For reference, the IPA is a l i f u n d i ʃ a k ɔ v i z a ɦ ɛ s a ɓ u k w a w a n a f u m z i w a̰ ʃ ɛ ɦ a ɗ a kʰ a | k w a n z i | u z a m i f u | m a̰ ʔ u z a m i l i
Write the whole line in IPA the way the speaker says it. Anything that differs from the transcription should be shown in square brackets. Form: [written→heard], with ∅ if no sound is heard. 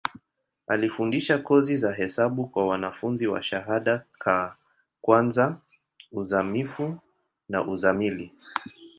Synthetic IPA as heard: a l i f u n d i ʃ a k ɔ [v→z] i z a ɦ ɛ s a ɓ u k w a w a n a f u [m→n] z i w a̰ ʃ [ɛ→a] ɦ a ɗ a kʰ a | k w a n z [i→a] | u z a m i f u | [m→n] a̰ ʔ u z a m i l i